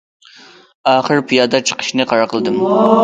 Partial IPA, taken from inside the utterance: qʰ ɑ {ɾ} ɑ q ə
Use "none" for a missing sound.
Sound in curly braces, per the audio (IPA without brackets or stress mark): ɾ